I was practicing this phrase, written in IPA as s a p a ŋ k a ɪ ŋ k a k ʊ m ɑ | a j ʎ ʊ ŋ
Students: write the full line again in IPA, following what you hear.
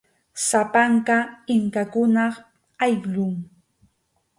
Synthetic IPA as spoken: s a p a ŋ k a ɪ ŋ k a k ʊ n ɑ | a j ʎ ʊ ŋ